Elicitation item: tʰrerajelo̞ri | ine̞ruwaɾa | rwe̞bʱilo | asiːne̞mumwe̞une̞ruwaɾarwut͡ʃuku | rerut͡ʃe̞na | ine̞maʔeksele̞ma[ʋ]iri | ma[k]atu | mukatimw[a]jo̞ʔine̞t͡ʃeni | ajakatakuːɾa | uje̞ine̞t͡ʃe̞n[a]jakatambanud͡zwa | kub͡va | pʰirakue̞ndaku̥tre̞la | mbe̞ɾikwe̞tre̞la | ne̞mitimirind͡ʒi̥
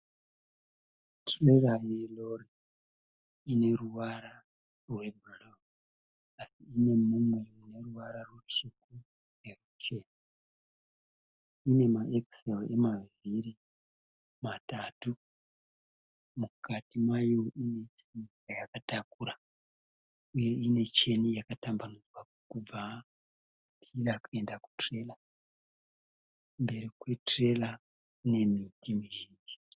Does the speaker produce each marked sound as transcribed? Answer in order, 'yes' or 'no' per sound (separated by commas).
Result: no, no, yes, no